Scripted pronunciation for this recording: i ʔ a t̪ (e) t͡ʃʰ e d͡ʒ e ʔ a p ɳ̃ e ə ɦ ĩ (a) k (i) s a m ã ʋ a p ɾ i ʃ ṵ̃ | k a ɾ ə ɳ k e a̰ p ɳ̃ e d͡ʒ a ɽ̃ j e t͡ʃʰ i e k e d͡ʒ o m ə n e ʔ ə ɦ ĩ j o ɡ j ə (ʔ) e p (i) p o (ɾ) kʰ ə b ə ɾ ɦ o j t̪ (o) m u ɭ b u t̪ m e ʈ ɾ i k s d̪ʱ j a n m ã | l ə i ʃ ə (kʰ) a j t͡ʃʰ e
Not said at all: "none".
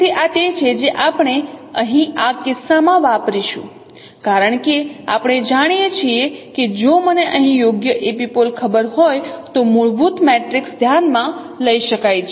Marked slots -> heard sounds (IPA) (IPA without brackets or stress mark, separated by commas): e, a, ɪ, ʔ, i, l, o, k